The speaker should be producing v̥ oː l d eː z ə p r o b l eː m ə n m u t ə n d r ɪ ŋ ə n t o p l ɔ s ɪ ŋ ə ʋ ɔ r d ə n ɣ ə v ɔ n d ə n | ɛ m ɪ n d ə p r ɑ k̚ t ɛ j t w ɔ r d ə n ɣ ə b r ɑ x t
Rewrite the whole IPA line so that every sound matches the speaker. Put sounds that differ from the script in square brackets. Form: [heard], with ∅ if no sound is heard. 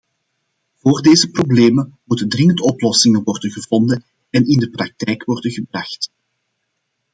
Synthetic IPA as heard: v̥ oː [r] d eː z ə p r o b l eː m ə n m u t ə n d r ɪ ŋ ə n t [ɔ] p l ɔ s ɪ ŋ ə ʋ ɔ r d ə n ɣ ə v ɔ n d ə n | ɛ [n] ɪ n d ə p r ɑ k̚ t ɛ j [k] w ɔ r d ə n ɣ ə b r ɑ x t